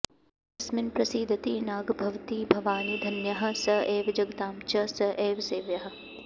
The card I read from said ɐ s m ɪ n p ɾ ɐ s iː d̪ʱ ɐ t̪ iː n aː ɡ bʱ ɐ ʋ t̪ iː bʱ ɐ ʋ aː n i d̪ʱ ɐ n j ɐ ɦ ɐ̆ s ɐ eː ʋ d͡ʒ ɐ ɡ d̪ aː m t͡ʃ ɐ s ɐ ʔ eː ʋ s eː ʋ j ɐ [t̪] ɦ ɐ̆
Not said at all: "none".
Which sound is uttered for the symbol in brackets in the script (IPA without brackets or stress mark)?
none